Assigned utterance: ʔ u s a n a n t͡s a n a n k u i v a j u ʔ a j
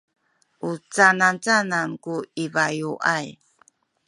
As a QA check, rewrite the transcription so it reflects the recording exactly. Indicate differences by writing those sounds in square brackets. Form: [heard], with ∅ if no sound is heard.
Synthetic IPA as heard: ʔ u [t͡s] a n a n t͡s a n a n k u i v a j u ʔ a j